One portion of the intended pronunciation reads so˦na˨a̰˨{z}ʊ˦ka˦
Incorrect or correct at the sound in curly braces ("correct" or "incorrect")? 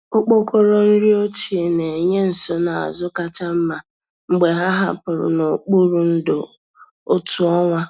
correct